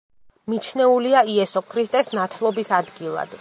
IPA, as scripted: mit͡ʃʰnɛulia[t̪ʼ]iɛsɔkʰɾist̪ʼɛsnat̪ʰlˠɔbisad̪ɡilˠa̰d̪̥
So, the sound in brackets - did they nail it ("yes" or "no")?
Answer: no